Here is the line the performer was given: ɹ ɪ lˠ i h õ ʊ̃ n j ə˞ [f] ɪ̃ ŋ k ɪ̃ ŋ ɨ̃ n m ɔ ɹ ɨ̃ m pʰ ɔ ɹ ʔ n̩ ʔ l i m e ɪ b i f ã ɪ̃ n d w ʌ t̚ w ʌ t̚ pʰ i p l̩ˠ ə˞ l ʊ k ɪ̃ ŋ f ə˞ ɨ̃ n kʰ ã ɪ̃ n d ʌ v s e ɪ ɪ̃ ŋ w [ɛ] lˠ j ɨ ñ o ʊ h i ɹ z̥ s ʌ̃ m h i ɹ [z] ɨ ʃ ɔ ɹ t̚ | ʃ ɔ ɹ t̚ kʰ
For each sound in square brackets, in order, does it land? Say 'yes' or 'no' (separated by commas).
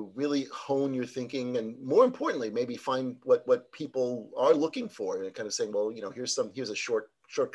no, yes, yes